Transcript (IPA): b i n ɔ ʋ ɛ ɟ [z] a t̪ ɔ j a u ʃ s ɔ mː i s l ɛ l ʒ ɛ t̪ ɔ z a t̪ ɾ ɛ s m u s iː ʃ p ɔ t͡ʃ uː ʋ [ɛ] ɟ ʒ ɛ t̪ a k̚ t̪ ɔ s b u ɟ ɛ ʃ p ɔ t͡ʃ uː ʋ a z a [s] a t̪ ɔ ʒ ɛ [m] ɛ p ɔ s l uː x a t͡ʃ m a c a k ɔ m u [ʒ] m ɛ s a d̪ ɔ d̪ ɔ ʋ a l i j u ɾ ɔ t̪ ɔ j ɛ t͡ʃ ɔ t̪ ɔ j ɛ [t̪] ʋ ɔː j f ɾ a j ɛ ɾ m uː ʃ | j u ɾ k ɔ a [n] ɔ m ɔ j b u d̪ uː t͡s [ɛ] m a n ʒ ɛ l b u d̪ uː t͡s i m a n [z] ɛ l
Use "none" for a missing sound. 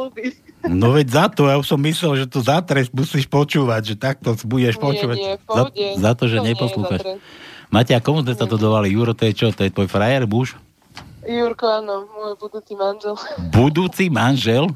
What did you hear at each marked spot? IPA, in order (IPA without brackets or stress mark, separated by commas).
z, a, z, ɲ, z, t̪, n, i, ʒ